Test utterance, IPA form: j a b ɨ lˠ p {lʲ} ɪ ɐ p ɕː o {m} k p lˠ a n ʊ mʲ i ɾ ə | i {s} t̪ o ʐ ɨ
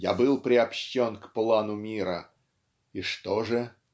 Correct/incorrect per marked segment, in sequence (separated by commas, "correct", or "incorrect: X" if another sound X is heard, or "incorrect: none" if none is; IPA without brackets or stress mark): incorrect: ɾʲ, incorrect: n, incorrect: ʂ